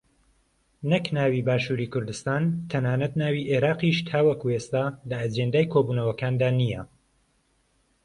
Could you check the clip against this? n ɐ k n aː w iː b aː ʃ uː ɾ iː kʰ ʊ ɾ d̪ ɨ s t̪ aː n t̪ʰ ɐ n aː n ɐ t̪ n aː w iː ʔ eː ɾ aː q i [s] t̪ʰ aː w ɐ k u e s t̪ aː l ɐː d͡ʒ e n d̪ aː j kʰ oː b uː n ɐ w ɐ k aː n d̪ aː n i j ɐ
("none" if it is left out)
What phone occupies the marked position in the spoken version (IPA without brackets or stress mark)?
ʃ